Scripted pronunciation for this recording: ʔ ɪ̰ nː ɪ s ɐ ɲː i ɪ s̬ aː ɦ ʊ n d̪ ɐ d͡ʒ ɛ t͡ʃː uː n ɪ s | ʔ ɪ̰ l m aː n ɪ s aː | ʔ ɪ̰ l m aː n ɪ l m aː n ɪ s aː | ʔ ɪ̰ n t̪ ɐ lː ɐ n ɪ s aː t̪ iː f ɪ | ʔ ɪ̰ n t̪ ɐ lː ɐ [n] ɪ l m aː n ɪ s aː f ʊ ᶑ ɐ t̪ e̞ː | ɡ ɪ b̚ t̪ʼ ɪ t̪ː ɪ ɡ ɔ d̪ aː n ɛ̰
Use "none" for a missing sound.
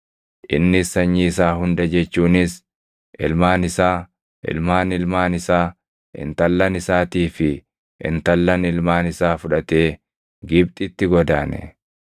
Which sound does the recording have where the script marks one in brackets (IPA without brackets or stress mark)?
n